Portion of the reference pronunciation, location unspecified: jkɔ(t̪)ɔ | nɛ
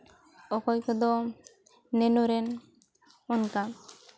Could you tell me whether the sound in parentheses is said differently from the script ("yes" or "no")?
yes